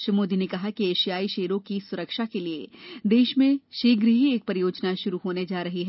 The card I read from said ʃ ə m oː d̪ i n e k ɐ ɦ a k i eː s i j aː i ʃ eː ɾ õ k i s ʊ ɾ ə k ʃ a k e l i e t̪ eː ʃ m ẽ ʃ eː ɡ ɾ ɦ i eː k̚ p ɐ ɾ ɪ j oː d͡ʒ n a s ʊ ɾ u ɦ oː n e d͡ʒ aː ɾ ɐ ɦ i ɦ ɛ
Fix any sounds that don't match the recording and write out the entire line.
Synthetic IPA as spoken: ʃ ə m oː d̪ i n e k ɐ ɦ a k i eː ʃ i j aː i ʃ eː ɾ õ k i s ʊ ɾ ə k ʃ a k e l i e d̪ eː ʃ m ẽ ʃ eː ɡ ɾ ɦ i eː k̚ p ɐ ɾ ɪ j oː d͡ʒ n a ʃ ʊ ɾ u ɦ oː n e d͡ʒ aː ɾ ɐ ɦ i ɦ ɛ